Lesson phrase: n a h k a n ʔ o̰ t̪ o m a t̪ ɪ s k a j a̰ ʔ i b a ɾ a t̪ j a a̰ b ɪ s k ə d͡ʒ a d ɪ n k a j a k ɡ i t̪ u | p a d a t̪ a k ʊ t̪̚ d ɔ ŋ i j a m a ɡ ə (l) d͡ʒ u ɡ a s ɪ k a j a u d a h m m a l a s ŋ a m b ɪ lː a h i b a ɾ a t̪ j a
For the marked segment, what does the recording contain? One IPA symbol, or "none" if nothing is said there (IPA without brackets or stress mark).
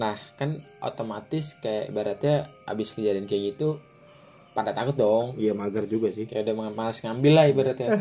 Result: r